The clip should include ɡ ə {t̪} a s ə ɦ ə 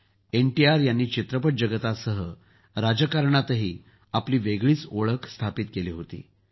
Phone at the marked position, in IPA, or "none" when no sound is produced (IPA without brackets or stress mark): t̪